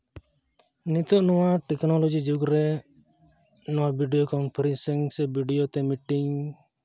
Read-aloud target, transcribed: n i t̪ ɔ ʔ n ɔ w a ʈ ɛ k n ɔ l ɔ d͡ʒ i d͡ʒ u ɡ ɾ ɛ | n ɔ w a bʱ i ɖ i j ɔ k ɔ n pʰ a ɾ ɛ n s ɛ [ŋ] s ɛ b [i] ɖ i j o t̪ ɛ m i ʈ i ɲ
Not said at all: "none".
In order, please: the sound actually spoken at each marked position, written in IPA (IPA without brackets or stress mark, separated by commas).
ŋ, i